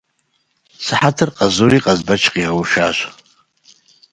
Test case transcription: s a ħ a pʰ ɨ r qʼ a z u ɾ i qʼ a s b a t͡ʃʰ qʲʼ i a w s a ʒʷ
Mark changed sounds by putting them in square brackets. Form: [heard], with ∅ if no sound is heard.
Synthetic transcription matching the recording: s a ħ a [tʰ] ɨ r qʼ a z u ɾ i qʼ a [z] b a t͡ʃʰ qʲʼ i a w [ʃ] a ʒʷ